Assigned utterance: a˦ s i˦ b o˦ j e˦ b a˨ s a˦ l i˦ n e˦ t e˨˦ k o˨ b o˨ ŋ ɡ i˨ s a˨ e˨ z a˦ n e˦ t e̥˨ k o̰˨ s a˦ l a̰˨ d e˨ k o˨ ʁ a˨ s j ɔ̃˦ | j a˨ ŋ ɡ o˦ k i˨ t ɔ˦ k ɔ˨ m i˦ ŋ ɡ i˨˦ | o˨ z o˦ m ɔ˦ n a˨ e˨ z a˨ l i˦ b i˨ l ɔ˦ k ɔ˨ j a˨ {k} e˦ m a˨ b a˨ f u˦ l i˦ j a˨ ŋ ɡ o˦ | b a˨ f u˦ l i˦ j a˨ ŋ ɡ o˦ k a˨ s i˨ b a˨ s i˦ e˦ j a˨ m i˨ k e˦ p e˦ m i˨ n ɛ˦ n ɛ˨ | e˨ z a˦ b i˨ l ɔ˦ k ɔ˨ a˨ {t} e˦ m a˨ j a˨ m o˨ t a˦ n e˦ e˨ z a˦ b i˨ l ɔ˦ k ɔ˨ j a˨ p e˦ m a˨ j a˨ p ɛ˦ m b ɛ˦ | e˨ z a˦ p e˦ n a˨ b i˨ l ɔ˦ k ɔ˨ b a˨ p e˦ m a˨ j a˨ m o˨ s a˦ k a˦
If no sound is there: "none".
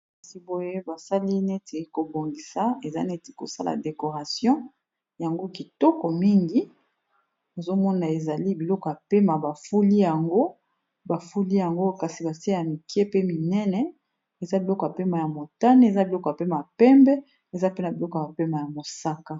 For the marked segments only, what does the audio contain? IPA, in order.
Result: p, p

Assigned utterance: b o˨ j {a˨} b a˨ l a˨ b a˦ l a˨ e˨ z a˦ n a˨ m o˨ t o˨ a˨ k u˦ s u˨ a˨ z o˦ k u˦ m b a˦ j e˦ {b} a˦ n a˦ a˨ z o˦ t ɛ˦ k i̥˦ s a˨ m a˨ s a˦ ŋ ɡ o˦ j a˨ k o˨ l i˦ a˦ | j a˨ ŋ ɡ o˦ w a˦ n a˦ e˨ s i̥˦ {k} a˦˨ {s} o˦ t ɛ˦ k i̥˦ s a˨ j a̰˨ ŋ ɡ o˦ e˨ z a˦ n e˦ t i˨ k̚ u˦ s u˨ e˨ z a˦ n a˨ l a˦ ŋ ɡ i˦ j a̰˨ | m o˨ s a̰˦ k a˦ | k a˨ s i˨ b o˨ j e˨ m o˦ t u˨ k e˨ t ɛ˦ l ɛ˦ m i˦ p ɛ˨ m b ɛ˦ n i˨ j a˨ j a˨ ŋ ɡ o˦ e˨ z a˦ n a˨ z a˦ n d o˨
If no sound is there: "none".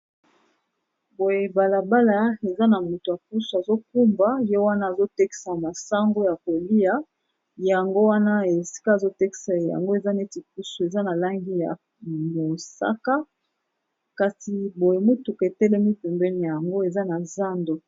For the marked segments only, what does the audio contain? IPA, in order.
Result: e˨, w, k, z

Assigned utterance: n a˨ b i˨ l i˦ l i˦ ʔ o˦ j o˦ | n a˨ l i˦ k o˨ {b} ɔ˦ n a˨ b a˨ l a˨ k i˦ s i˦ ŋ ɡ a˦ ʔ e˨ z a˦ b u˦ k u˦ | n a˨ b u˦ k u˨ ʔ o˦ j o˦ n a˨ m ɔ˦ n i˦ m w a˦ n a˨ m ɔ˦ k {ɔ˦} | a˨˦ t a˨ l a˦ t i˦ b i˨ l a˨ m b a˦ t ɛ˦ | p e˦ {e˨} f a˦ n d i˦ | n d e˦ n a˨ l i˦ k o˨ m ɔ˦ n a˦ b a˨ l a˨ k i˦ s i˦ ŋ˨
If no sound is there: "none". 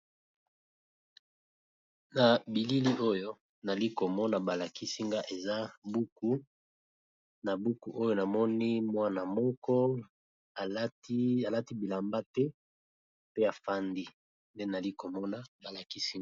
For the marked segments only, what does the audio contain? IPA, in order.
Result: m, ɔ˦, a˨

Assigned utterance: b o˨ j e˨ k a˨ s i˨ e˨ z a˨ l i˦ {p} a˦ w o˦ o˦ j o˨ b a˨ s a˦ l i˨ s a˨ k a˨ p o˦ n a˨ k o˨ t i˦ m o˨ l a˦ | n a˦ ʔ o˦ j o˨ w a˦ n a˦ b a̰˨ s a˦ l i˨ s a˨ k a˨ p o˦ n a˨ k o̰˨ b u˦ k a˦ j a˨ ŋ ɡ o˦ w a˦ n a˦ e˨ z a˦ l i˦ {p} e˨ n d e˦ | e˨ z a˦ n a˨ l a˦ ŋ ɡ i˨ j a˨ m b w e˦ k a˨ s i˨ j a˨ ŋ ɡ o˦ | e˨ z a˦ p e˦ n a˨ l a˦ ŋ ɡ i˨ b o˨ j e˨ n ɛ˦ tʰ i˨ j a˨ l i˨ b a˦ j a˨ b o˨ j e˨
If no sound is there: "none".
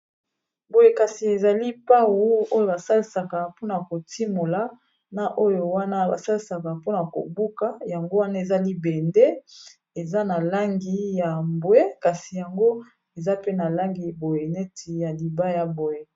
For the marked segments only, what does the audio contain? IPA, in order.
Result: p, b

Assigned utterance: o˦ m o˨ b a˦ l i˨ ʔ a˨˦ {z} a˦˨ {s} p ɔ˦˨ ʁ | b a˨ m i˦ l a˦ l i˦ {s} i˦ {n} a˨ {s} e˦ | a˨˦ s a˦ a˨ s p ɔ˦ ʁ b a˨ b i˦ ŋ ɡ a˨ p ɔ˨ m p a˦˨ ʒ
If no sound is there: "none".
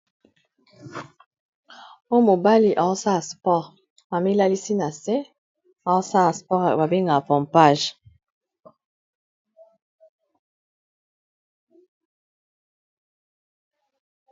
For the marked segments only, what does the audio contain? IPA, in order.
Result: s, s, s, n, s

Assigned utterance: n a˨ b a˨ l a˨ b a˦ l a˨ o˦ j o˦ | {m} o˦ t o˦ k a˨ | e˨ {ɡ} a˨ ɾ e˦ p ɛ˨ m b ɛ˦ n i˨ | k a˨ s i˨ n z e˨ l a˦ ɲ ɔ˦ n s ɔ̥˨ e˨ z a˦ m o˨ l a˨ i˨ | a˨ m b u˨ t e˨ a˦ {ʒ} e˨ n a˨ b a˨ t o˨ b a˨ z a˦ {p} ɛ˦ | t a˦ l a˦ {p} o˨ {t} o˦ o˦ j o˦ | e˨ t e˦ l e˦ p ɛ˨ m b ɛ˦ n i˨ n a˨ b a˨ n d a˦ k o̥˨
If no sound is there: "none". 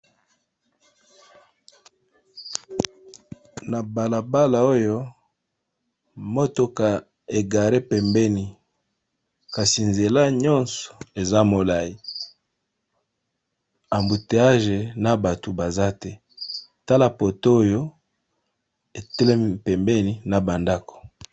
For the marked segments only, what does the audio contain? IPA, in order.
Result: m, ɡ, ʒ, t, p, t

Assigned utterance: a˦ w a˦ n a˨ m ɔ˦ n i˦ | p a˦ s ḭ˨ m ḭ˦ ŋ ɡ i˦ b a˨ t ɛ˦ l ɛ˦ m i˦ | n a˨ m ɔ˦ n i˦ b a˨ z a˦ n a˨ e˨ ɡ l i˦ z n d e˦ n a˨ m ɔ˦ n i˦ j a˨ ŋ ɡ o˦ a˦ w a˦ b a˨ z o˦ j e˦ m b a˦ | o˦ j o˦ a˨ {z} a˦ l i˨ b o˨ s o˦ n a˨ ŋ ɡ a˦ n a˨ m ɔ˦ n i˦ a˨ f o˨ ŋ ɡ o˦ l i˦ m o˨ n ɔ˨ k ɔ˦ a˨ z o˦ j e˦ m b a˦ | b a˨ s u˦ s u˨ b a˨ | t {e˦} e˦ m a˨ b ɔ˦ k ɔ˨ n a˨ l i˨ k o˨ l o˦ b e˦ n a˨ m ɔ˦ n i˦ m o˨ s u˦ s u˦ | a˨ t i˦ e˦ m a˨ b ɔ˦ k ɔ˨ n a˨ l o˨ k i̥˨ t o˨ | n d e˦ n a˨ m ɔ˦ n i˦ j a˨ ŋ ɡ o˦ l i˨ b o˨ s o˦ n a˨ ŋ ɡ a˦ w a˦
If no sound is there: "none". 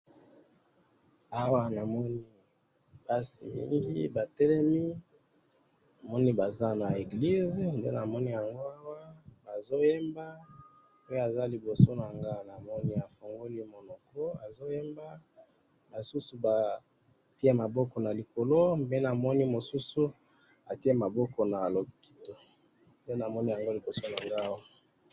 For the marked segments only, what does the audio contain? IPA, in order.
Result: z, i˦

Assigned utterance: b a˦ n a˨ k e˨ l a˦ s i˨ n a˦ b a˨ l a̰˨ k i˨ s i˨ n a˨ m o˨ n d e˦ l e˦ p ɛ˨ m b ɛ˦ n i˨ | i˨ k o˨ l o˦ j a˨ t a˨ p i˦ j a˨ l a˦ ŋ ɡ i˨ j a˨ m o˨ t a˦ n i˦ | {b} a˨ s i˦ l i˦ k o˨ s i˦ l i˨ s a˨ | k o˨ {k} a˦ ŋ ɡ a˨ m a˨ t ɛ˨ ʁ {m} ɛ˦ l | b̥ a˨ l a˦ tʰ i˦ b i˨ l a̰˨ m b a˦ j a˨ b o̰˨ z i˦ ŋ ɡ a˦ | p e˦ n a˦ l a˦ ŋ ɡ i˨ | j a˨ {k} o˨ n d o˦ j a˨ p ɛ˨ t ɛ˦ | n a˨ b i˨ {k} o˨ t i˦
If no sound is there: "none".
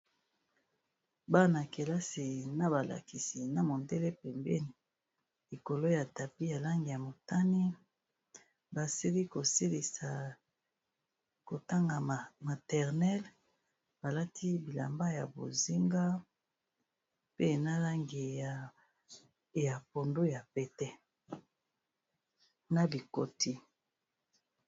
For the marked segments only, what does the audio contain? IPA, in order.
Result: b, t, n, p, k

